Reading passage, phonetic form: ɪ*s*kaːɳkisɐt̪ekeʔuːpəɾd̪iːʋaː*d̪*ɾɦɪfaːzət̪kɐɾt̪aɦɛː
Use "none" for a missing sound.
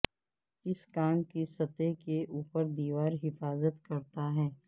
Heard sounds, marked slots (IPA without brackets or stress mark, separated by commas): s, none